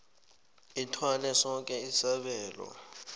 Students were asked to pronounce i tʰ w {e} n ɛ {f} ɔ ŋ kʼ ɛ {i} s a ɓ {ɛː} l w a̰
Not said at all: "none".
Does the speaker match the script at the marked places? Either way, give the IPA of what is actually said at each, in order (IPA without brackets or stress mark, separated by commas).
a, s, i, ɛː